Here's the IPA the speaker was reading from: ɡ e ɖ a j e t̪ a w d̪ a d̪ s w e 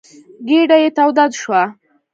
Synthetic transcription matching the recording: ɡ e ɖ a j e t̪ a w d̪ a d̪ ʃ w a